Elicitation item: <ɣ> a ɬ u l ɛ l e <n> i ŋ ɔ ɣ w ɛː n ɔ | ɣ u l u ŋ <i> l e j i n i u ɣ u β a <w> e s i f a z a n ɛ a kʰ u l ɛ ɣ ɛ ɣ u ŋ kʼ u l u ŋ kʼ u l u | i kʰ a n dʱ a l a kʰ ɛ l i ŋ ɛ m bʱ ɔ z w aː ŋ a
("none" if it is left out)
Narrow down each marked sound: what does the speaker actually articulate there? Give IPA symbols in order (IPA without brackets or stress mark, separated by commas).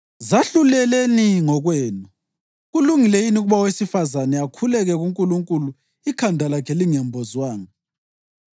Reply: z, n, i, w